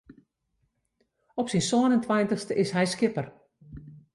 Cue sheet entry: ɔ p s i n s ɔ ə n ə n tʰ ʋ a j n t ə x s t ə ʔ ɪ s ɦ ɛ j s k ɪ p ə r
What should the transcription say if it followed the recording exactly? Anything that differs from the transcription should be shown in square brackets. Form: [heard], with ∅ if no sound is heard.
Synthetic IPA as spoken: ɔ p s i n s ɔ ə n ə n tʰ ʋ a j n t ə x s t ə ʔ ɪ s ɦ ɛ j s k ɪ p ə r